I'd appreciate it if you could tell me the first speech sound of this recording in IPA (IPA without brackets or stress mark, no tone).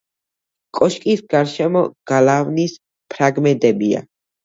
kʼ